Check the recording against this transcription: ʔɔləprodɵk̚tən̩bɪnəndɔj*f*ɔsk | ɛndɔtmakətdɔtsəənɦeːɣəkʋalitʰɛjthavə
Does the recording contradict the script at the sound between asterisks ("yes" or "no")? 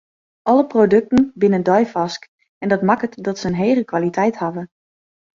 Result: no